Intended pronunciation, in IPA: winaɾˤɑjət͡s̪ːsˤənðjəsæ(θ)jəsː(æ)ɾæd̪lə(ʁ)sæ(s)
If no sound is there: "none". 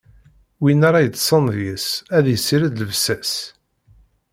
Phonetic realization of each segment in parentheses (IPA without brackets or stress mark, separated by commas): ð, i, v, s